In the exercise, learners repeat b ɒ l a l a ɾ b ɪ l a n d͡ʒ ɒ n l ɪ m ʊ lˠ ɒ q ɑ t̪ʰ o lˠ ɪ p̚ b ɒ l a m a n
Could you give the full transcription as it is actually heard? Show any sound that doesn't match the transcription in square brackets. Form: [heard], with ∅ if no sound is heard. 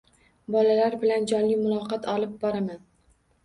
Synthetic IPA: b ɒ l a l a ɾ b ɪ l a n d͡ʒ ɒ n l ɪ m ʊ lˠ ɒ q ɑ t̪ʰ [ɒ] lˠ ɪ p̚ b ɒ [ɾ] a m a n